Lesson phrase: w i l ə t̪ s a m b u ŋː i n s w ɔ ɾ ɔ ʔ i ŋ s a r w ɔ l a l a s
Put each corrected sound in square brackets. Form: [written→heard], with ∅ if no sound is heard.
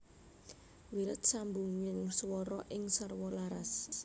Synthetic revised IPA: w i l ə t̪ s a m b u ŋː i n s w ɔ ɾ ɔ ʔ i ŋ s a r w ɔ l a [l→ɾ] a s